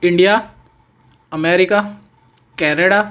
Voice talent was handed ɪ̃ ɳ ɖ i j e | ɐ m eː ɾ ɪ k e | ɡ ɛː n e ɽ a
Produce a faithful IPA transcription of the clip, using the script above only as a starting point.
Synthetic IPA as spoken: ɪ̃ ɳ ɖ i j a | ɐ m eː ɾ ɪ k a | k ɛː n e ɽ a